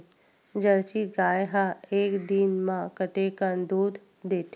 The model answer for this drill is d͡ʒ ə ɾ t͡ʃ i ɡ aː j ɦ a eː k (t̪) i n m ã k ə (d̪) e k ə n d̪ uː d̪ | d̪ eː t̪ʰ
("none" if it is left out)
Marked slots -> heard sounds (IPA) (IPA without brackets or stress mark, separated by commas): d̪, t̪